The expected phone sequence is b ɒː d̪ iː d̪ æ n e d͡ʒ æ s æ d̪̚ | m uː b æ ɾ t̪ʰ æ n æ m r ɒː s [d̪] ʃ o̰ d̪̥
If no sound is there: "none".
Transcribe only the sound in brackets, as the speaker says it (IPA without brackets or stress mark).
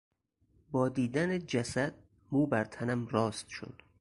t̪